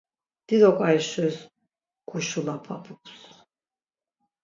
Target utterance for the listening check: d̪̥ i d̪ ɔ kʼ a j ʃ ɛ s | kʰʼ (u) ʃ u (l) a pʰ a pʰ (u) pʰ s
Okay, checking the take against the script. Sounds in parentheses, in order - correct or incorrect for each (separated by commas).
correct, correct, correct